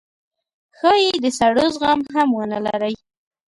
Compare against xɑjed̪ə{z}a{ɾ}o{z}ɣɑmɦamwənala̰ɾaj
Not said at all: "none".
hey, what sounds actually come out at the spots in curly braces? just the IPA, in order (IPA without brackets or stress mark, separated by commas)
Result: s, ɽ, z